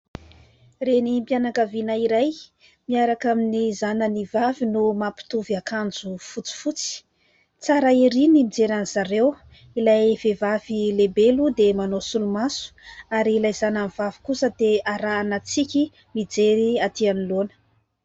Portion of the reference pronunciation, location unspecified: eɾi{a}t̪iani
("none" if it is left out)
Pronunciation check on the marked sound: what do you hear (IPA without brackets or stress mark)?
a